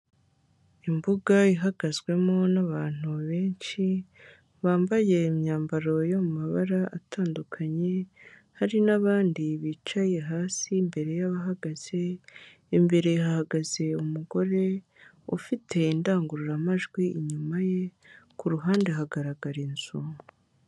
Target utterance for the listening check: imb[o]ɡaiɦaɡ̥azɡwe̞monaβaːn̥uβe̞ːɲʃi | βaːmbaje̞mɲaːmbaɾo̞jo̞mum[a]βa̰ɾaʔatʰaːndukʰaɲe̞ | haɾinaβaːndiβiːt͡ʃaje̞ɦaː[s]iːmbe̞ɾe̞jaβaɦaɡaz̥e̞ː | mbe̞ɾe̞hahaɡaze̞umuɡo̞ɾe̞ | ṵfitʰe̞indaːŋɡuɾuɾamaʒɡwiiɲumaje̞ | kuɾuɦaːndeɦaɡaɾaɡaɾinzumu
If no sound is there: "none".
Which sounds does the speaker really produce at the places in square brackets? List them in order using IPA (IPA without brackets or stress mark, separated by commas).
u, a, s